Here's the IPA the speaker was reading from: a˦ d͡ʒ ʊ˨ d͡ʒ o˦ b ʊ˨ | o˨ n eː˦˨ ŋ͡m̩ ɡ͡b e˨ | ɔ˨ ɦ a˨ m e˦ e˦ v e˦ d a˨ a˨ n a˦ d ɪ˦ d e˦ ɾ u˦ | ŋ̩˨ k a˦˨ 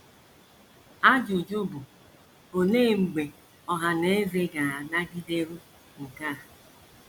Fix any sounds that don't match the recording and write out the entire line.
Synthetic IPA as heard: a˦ d͡ʒ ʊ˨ d͡ʒ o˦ b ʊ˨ | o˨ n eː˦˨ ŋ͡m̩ ɡ͡b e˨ | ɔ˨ ɦ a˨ n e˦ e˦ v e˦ ɡ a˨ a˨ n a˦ ɡ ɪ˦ d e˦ ɾ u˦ | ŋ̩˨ k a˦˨

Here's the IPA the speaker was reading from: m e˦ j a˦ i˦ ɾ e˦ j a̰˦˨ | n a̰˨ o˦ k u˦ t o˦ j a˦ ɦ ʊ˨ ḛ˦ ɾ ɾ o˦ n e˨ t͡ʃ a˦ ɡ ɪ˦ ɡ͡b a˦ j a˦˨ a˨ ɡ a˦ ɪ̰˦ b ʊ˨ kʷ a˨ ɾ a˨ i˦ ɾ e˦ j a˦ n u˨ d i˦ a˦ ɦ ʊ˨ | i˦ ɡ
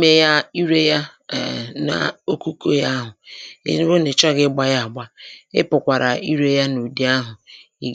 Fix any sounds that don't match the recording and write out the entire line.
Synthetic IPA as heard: m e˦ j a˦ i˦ ɾ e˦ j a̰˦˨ | n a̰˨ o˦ k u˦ k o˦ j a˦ ɦ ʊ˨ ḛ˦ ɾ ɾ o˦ n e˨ t͡ʃ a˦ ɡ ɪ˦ ɡ͡b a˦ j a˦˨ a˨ ɡ͡b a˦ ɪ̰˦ p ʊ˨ kʷ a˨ ɾ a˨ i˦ ɾ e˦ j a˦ n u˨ d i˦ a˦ ɦ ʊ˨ | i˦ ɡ

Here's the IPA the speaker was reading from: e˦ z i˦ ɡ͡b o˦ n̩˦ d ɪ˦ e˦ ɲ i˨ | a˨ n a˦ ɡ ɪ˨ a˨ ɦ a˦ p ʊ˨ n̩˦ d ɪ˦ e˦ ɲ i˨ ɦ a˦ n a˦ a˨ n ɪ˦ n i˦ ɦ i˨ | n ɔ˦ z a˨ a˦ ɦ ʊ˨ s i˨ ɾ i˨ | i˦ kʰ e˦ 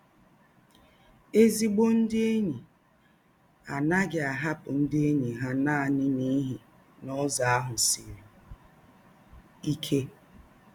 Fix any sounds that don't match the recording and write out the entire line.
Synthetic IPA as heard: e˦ z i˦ ɡ͡b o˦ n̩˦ d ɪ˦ e˦ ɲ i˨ | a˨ n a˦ ɡ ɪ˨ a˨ ɦ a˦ p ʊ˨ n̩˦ d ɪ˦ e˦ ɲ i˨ ɦ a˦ n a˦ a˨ n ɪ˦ n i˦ ɦ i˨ | n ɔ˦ z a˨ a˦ ɦ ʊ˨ s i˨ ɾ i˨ | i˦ kʰ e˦

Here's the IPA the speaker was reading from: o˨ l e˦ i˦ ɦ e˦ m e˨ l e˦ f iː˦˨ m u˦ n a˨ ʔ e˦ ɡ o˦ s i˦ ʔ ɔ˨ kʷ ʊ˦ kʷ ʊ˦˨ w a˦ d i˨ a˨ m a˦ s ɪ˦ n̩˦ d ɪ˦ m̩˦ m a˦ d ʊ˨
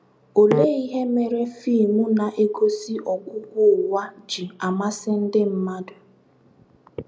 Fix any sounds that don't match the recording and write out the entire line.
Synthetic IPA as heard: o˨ l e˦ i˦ ɦ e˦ m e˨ ɾ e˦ f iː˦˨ m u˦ n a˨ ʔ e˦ ɡ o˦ s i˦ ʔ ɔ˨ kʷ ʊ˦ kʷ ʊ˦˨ w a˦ d͡ʒ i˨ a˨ m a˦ s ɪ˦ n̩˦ d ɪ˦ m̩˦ m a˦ d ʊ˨

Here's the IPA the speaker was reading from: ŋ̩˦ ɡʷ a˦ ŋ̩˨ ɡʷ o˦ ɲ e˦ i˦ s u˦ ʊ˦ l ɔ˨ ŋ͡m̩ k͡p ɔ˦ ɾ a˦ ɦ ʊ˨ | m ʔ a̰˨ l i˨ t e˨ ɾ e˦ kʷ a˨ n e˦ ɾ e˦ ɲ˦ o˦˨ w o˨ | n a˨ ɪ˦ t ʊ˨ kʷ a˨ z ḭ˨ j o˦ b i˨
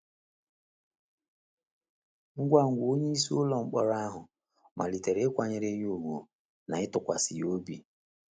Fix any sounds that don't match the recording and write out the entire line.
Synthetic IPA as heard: ŋ̩˦ ɡʷ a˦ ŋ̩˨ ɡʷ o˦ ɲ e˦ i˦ s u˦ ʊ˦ l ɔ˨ ŋ͡m̩ k͡p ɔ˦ ɾ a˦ ɦ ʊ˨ | m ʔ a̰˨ l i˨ t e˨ ɾ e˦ kʷ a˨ ɲ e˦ ɾ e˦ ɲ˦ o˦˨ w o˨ | n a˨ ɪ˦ t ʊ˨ kʷ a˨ s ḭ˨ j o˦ b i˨

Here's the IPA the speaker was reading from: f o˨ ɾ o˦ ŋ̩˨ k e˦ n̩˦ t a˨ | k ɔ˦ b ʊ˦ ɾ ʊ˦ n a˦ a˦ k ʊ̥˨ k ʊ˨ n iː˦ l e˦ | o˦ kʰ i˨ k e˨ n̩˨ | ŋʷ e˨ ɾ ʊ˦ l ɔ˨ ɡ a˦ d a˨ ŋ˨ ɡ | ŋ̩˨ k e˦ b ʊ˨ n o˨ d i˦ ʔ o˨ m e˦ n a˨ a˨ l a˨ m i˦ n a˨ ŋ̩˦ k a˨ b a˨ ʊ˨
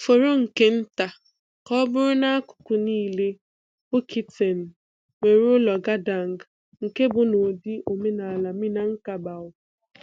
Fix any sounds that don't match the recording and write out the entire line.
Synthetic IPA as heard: f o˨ ɾ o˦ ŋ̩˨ k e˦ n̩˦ t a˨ | k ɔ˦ b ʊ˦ ɾ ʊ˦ n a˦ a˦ k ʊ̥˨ k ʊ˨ n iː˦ l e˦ | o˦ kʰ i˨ t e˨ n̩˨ | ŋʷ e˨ ɾ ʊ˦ l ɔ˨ ɡ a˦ d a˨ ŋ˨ ɡ | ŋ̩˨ k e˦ b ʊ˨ n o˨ d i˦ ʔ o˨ m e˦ n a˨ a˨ l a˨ m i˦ n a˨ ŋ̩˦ k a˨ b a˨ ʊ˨

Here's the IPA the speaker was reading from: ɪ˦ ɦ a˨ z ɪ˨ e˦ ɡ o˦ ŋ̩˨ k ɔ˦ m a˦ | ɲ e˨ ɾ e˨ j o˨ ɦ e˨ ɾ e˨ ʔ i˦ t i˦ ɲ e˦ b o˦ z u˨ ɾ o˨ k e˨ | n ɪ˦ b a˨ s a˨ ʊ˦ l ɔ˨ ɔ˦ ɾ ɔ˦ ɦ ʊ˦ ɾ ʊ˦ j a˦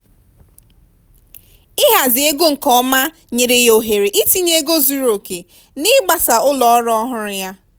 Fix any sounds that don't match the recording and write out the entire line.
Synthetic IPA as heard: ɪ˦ ɦ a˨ z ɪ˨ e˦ ɡ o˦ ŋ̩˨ k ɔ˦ m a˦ | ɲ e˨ ɾ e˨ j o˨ ɦ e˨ ɾ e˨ ʔ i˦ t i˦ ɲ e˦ ɡ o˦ z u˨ ɾ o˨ k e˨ | n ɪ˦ ɡ͡b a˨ s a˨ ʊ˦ l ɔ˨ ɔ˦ ɾ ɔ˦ ɦ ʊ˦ ɾ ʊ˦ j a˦

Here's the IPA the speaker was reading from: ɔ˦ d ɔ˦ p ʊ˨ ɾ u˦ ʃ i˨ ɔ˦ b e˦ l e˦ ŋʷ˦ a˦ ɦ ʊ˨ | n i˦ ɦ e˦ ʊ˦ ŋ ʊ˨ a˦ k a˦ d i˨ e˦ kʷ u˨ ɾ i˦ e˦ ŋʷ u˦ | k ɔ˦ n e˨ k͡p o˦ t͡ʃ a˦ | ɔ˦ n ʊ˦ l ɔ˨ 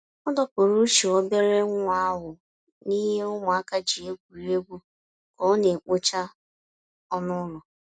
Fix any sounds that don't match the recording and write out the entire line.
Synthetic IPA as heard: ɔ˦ d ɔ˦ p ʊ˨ ɾ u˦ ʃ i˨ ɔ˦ b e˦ ɾ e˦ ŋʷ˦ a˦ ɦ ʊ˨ | n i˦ ɦ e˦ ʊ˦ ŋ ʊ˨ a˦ k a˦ d͡ʒ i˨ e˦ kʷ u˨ ɾ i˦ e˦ ɡʷ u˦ | k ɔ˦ n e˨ k͡p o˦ t͡ʃ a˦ | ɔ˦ n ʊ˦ l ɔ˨

